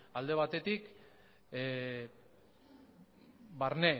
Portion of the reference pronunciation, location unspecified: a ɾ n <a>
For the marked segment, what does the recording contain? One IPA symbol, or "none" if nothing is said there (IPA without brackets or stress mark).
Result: e